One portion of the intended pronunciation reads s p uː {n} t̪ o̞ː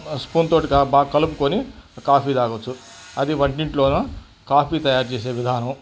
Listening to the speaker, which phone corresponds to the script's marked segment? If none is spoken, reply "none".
n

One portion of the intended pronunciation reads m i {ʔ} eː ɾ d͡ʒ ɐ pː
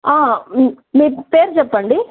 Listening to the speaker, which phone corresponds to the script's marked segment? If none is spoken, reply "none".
p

